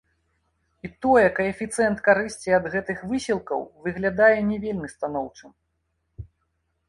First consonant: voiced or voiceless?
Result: voiceless